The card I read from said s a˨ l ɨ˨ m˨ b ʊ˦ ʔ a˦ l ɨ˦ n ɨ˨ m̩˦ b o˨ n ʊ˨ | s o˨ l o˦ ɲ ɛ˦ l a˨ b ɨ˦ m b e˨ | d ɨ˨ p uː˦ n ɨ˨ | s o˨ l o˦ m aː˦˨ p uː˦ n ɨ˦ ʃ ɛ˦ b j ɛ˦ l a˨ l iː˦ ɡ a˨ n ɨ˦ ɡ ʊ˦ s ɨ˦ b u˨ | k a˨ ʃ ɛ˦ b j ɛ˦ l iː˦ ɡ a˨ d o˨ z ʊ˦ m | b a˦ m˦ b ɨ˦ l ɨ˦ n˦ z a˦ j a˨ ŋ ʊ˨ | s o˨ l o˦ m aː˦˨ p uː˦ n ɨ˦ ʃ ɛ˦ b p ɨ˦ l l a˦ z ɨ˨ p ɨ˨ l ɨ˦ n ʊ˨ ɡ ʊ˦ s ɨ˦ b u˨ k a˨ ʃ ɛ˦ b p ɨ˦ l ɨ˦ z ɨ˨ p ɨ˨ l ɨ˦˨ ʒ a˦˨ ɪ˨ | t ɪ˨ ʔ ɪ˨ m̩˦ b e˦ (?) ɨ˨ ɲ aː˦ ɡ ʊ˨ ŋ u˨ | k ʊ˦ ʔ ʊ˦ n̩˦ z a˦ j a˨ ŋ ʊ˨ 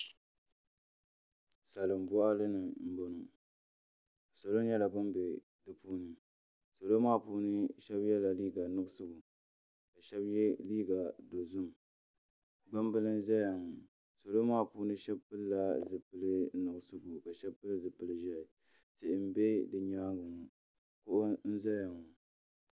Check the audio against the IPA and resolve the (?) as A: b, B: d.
B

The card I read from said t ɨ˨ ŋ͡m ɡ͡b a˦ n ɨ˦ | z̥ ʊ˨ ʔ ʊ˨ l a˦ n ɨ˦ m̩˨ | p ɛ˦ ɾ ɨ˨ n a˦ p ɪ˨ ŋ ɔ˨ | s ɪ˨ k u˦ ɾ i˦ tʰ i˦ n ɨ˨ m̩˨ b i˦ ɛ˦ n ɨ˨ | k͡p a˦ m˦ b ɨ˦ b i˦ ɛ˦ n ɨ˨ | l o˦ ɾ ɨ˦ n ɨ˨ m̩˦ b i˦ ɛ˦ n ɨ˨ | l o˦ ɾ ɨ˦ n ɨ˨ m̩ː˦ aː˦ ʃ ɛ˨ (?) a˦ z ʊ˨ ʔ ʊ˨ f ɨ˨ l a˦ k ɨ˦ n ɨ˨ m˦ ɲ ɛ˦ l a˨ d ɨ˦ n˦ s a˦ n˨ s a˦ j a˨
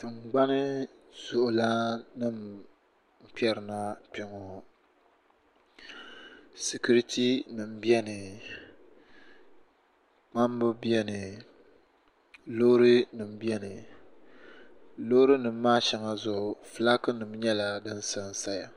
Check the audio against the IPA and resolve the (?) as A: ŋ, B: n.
A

